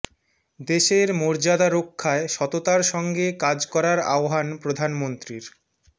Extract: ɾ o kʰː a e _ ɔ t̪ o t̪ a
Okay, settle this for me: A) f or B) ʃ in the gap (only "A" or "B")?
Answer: B